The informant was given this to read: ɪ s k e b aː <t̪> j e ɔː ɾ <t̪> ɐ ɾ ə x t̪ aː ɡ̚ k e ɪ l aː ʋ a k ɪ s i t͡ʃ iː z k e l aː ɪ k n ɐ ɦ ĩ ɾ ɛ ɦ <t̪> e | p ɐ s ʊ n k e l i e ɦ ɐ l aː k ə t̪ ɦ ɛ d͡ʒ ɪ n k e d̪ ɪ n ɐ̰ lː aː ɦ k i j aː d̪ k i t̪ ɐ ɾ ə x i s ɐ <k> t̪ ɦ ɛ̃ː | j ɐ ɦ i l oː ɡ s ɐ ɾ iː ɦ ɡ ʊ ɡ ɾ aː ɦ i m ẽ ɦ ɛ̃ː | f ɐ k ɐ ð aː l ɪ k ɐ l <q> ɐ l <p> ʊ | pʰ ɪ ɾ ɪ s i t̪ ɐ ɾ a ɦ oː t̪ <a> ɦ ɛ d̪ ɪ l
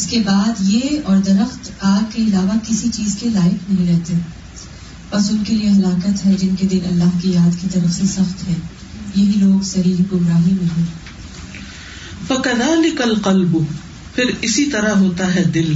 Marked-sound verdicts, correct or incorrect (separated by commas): incorrect, incorrect, correct, incorrect, correct, incorrect, correct